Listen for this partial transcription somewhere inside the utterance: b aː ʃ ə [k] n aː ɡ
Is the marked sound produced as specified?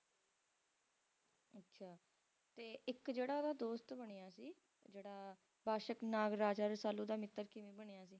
yes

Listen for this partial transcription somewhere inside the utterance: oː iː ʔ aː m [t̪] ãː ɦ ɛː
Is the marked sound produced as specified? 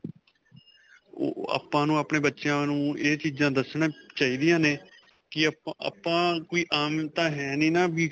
yes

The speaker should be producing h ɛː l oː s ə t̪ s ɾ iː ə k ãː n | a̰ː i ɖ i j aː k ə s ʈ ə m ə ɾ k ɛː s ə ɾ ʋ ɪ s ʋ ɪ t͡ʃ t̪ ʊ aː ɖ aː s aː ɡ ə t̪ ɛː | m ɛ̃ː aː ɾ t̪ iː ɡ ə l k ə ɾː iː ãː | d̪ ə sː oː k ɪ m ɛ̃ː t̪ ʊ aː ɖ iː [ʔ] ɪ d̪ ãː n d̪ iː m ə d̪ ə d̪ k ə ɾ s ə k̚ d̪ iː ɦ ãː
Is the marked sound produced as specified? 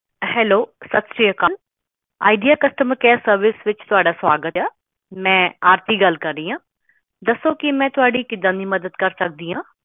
no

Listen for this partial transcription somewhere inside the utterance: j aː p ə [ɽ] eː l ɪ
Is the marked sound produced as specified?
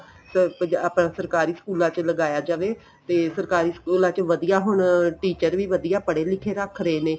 yes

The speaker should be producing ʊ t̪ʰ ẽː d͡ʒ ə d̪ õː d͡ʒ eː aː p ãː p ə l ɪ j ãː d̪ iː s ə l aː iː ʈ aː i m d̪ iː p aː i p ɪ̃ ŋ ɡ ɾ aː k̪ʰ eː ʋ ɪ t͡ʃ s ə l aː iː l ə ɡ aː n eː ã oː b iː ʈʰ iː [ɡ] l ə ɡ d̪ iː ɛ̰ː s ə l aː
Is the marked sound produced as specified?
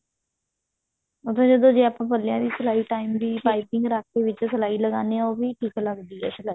no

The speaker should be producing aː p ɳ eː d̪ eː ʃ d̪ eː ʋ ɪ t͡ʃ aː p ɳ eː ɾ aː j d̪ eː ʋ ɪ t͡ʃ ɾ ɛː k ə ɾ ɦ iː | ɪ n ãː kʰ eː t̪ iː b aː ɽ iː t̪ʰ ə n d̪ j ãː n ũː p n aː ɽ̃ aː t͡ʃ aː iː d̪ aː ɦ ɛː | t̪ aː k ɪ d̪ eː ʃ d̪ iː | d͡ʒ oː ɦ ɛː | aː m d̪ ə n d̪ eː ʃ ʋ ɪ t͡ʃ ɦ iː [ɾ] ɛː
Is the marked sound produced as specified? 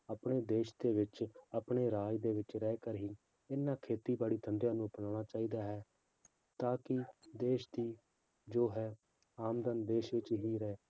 yes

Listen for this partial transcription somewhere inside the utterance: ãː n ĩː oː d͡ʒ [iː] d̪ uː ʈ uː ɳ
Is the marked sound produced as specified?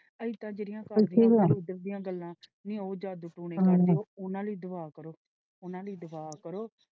no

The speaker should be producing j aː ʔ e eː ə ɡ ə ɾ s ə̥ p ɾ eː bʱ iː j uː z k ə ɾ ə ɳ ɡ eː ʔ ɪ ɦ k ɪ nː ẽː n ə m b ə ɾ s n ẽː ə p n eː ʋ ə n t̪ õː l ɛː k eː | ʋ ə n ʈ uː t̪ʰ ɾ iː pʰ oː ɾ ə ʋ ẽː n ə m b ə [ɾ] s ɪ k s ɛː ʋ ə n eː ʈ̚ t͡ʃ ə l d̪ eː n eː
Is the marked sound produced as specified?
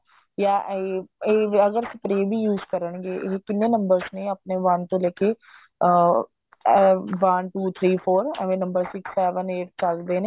yes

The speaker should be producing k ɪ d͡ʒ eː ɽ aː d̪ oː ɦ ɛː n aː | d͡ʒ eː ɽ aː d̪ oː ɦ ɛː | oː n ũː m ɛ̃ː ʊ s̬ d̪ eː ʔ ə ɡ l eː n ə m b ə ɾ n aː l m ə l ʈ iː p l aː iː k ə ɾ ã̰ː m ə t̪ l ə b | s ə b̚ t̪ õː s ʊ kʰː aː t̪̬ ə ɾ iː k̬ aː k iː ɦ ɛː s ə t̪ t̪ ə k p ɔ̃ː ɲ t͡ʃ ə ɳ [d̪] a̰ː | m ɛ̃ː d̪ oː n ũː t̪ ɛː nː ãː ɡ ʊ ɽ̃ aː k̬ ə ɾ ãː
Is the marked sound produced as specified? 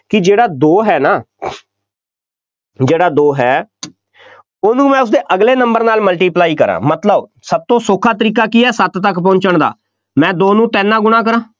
yes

